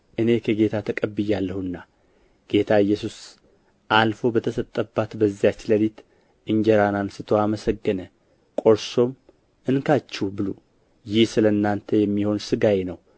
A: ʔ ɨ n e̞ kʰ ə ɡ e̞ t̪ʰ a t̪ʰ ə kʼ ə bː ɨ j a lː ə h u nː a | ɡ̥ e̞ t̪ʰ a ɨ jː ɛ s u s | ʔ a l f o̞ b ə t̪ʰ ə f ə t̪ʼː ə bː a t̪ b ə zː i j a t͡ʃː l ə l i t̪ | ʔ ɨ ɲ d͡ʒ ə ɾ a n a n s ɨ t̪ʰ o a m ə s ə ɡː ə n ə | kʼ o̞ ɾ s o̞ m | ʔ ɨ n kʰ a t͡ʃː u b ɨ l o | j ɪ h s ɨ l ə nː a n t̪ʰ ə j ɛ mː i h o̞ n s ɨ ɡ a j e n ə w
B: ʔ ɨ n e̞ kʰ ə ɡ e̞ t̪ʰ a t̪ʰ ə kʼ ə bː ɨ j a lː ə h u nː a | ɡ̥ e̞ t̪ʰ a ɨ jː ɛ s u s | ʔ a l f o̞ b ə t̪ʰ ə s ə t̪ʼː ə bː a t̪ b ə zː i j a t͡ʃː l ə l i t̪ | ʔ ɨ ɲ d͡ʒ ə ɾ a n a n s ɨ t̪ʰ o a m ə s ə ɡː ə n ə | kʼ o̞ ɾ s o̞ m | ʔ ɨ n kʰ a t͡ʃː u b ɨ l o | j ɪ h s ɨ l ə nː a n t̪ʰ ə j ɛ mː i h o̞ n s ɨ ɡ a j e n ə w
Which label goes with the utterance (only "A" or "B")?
B